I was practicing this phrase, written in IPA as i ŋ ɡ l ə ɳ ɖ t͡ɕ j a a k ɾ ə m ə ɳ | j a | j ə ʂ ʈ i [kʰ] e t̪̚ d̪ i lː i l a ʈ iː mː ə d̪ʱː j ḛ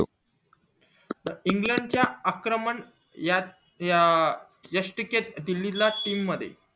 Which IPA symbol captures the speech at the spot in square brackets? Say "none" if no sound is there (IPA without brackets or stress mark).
k